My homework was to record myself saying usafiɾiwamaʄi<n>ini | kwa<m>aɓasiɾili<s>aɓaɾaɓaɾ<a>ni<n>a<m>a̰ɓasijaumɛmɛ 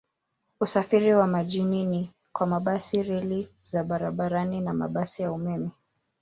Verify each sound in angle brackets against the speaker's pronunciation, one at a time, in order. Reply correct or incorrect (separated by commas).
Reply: correct, correct, incorrect, correct, correct, correct